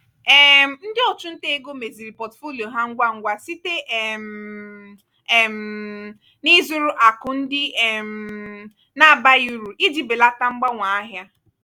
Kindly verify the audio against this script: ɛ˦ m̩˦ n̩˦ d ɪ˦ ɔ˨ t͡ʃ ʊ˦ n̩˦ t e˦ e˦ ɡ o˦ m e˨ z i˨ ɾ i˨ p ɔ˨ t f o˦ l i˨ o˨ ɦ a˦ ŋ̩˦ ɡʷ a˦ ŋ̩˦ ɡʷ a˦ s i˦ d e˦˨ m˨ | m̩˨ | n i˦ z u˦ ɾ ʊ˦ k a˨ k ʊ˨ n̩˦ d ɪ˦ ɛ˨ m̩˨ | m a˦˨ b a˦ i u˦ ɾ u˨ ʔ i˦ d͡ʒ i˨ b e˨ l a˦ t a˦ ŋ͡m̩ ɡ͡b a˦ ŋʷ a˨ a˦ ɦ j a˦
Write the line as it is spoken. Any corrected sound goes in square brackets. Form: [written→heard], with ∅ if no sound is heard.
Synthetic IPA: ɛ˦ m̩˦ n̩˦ d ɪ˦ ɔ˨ t͡ʃ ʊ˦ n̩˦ t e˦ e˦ ɡ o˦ m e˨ z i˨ ɾ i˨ p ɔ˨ t f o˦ l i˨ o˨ ɦ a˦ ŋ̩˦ ɡʷ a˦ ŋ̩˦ ɡʷ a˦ s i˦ [d→t] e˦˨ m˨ | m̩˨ | n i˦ z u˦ ɾ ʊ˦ [k→ʔ] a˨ k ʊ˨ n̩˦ d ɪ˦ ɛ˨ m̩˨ | [m→n] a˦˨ b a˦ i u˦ ɾ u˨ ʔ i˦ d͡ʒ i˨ b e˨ l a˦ t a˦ ŋ͡m̩ ɡ͡b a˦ ŋʷ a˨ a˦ ɦ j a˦